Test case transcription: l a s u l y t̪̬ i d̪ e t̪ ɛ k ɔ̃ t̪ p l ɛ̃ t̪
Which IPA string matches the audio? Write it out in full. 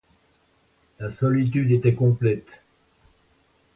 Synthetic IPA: l a s ɔ l i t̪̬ y d̪ e t̪ ɛ k ɔ̃ p l ɛ t̪